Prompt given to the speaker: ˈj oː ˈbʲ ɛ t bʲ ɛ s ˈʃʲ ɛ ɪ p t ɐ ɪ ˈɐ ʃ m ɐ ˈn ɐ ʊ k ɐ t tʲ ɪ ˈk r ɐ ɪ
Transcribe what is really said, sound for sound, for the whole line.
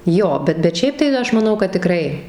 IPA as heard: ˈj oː ˈbʲ ɛ t bʲ ɛ t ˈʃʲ ɛ ɪ p t ɐ ɪ ˈɐ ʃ m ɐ ˈn ɐ ʊ k ɐ t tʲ ɪ ˈk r ɐ ɪ